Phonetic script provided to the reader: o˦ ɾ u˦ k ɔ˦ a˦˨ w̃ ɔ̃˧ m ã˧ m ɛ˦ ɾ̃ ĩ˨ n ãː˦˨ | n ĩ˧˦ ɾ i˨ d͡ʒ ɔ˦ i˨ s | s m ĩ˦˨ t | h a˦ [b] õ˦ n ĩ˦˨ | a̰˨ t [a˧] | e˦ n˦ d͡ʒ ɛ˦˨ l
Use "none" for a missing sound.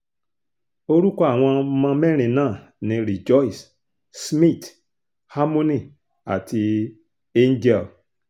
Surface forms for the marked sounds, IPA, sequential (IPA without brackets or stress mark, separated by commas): m, i˧